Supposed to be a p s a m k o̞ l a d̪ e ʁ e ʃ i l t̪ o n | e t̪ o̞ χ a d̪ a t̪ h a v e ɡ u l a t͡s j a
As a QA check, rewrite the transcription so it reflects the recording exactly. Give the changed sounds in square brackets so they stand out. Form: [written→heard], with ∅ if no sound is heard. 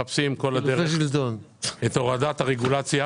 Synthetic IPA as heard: a p s [a→i] m k o̞ l a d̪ e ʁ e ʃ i l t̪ o n | e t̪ o̞ [χ→ʁ] a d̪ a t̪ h a [v→ʁ] e ɡ u l a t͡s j a